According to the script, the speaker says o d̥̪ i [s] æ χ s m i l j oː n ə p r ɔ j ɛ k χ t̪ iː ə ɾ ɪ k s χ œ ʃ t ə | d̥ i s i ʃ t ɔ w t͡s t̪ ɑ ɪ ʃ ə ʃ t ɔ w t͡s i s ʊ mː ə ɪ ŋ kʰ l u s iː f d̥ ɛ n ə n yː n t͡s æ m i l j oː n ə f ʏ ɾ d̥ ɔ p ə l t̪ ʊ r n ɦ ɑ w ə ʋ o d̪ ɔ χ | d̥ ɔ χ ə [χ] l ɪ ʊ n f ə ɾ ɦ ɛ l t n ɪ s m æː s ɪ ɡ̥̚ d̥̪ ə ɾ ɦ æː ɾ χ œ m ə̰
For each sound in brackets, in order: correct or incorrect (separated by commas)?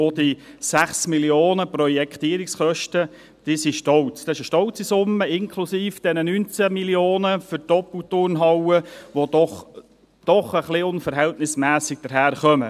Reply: correct, correct